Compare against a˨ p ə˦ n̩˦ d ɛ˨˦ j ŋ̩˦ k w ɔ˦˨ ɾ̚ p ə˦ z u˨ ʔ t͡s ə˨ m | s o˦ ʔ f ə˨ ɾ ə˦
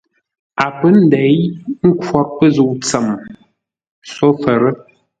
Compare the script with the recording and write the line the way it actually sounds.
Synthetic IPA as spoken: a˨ p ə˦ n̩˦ d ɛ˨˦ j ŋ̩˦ k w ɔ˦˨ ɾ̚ p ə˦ z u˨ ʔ t͡s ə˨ m | s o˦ f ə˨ ɾ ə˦